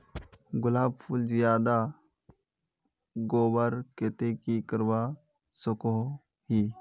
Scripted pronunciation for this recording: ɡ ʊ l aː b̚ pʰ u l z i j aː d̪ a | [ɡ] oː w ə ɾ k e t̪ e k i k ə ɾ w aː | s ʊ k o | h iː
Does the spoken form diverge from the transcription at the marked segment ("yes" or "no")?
no